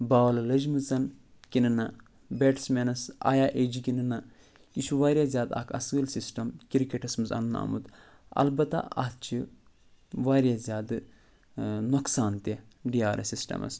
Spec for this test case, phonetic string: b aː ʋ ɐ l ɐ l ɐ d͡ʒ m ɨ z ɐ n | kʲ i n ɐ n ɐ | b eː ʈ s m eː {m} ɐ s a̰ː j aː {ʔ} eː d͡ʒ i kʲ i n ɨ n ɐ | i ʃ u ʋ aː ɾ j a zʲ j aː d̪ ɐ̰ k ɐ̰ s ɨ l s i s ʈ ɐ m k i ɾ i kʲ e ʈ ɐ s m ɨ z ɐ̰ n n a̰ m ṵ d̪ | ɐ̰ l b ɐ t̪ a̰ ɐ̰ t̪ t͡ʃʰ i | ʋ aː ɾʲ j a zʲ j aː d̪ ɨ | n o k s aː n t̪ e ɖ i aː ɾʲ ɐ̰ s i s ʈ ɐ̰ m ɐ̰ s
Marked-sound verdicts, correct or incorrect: incorrect: n, correct

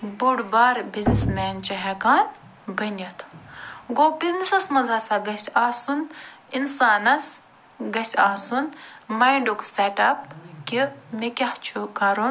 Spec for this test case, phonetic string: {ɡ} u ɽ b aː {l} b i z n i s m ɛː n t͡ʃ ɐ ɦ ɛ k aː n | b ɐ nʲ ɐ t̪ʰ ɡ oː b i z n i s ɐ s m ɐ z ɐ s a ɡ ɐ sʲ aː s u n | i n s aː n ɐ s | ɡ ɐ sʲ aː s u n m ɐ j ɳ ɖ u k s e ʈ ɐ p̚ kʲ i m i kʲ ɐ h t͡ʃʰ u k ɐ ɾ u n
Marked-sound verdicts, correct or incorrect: incorrect: b, incorrect: ɾ

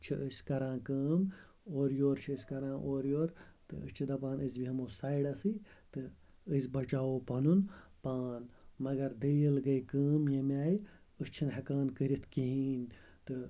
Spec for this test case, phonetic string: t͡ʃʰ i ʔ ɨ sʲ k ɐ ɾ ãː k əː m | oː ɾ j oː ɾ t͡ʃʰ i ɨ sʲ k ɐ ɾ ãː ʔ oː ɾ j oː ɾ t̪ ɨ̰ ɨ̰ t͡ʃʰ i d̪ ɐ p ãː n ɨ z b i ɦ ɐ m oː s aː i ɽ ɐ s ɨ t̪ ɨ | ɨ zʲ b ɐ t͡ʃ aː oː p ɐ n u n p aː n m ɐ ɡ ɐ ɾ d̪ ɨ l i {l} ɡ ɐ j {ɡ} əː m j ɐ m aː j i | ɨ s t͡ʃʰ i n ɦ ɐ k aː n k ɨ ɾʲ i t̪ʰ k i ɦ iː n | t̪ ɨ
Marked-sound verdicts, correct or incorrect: correct, incorrect: k

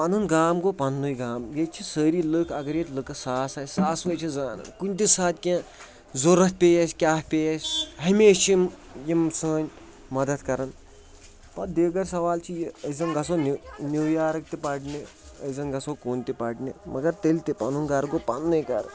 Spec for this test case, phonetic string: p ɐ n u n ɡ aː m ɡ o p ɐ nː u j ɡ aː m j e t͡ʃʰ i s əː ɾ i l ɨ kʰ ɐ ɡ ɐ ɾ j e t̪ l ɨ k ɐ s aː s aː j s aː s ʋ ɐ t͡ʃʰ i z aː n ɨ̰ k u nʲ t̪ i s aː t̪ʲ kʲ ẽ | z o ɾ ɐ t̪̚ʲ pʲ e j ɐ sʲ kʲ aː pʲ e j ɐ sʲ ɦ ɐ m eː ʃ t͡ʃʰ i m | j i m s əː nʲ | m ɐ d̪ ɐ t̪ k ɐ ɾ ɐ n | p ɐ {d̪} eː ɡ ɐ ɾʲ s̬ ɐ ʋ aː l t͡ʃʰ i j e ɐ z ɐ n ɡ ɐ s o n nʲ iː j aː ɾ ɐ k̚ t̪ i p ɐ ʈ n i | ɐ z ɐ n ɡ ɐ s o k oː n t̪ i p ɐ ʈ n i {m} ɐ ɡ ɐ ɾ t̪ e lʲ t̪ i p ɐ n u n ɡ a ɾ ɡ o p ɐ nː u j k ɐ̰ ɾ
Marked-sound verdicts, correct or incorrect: correct, correct

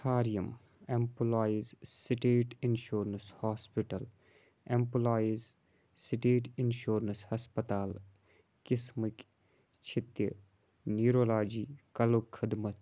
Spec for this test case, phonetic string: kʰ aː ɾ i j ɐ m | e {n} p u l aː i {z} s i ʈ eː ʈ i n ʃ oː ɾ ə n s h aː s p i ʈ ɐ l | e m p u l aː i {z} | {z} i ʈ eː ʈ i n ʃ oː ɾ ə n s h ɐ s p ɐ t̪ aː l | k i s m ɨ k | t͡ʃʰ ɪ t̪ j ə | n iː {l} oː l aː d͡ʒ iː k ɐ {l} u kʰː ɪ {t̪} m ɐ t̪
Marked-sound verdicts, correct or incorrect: incorrect: m, correct, correct, incorrect: s, incorrect: ɾ, correct, incorrect: d̪

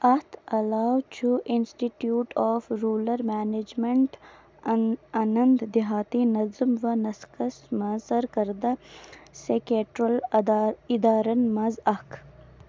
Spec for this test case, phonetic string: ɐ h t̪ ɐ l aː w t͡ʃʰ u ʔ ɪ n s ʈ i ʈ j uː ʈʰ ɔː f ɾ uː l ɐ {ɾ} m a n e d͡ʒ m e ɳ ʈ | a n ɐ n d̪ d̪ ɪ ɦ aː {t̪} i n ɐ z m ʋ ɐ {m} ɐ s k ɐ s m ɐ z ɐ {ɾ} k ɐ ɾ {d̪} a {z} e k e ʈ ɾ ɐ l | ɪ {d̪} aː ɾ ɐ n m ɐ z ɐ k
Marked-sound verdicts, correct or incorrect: correct, correct, incorrect: n, correct, correct, incorrect: s, correct

